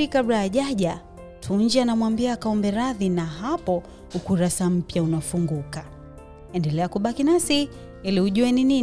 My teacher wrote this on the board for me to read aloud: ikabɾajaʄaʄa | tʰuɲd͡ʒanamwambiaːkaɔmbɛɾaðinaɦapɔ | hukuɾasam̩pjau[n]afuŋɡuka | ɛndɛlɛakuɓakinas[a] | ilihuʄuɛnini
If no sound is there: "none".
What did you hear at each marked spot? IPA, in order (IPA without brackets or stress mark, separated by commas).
n, i